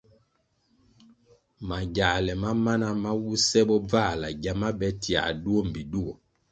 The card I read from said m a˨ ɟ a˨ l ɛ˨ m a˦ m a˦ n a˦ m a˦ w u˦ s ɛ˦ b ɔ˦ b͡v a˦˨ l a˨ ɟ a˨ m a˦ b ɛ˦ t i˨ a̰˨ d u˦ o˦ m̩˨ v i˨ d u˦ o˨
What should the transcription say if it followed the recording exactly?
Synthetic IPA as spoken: m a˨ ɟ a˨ l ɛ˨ m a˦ m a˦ n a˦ m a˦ w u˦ s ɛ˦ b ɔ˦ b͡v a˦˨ l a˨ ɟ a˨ m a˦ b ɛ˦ t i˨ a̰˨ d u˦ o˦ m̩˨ b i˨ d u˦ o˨